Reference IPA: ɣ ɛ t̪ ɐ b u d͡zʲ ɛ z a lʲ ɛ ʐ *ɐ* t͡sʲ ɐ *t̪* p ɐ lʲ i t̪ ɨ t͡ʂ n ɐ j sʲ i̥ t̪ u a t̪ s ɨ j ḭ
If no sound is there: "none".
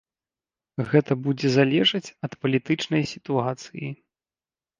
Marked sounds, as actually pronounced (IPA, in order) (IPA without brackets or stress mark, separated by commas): ɐ, t̪